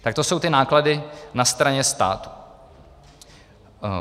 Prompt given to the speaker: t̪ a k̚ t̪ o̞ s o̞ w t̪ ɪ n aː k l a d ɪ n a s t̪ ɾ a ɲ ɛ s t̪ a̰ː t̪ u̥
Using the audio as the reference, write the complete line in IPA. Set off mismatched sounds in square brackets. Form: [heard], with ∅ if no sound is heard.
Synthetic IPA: t̪ a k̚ t̪ o̞ s o̞ w t̪ ɪ n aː k l a d ɪ n a s t̪ ɾ a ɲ ɛ s t̪ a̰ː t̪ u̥